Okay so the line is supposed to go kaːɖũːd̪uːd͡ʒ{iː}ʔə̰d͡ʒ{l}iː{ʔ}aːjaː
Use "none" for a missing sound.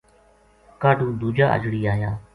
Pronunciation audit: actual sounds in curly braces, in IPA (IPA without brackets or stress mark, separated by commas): aː, ɽ, none